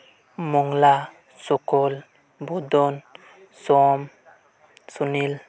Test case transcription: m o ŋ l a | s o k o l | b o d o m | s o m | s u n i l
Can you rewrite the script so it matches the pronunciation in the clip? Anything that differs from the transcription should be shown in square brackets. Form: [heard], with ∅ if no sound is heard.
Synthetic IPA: m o ŋ l a | s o k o l | b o d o [n] | s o m | s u n i l